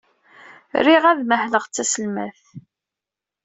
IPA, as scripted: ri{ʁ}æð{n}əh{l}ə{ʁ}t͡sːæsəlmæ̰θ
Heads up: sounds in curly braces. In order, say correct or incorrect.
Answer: correct, incorrect, correct, correct

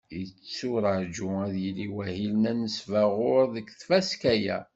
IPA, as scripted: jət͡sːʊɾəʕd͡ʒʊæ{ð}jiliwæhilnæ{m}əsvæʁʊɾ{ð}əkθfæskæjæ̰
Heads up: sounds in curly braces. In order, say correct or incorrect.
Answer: correct, incorrect, correct

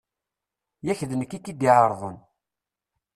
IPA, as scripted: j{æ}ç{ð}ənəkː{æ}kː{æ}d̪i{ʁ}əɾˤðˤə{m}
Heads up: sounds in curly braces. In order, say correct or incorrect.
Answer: correct, correct, incorrect, incorrect, incorrect, incorrect

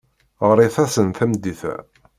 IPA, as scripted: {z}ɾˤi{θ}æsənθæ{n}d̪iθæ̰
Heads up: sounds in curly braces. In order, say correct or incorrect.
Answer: incorrect, correct, incorrect

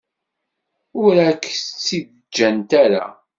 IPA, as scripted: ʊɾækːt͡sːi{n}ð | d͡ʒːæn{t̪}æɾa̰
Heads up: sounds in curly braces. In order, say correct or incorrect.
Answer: incorrect, correct

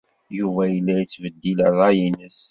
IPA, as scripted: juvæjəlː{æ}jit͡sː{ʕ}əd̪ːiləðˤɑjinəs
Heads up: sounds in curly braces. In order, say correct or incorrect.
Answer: correct, incorrect

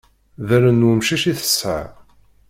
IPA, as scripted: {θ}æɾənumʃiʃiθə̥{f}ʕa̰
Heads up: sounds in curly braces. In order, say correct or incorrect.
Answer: incorrect, incorrect

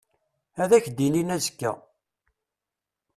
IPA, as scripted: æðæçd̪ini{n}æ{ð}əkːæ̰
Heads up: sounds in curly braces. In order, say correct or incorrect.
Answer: correct, incorrect

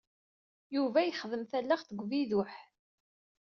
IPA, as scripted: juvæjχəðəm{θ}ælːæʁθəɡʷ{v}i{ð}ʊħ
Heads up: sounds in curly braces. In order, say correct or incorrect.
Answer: correct, correct, correct

